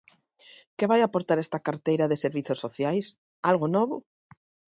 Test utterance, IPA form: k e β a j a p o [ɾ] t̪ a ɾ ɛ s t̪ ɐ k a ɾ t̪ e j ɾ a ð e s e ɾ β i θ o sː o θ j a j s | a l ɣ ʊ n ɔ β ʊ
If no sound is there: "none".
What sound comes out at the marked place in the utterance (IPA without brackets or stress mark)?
ɾ